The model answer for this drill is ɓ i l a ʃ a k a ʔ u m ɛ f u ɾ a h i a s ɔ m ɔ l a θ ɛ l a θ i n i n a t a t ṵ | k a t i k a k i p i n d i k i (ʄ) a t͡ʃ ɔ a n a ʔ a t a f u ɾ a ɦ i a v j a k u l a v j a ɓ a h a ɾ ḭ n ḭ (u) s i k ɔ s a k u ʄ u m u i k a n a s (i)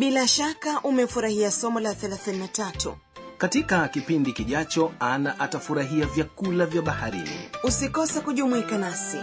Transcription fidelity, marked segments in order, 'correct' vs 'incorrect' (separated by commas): correct, correct, correct